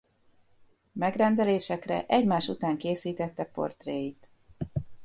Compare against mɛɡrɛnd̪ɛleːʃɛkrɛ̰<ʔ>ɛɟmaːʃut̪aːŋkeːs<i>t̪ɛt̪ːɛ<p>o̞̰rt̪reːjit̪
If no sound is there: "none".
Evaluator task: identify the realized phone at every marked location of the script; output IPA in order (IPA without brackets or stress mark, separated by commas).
ʔ, iː, p